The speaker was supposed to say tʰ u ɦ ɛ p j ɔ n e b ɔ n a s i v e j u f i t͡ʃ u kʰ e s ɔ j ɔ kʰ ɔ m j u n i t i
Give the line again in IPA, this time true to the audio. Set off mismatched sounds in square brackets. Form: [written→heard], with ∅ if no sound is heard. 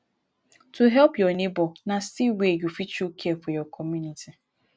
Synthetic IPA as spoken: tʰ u ɦ ɛ p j ɔ n e b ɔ n a s i [v→w] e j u f i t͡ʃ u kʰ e [s→f] ɔ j ɔ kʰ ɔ m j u n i t i

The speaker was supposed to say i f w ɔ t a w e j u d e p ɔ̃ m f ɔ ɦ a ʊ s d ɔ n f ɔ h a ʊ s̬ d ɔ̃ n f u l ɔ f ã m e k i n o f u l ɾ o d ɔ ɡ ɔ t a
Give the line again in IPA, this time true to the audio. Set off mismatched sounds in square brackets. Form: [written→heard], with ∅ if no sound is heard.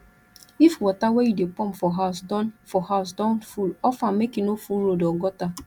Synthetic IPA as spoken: i f w ɔ t a w e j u d e p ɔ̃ m f ɔ ɦ a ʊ s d ɔ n f ɔ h a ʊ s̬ d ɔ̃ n f u l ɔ f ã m e k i n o f u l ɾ o d ɔ ɡ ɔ t a

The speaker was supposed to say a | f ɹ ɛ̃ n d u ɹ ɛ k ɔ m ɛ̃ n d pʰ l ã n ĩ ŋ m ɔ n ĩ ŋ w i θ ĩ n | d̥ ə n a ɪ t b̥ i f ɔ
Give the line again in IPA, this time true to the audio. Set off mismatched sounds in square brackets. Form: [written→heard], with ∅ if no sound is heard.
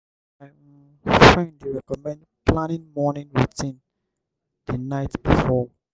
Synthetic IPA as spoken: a | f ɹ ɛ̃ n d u ɹ ɛ k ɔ m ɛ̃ n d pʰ l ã n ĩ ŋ m ɔ n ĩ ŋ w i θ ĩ n | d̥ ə n a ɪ t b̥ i f ɔ

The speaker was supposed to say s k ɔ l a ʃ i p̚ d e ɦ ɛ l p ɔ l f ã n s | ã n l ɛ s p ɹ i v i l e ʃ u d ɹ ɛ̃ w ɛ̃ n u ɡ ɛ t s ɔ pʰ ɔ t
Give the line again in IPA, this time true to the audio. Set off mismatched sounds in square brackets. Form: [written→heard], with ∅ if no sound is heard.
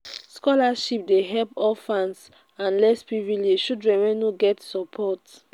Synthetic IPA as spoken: s k ɔ l a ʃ i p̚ d e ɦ ɛ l p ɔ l f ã n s | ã n l ɛ s p ɹ i v i l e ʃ u d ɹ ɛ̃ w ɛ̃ n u ɡ ɛ t s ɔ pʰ ɔ t

